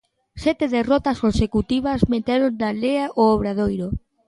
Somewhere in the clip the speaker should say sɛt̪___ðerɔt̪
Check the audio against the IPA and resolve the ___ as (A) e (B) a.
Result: A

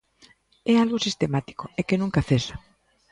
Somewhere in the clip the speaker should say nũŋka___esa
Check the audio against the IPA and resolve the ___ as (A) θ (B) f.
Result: A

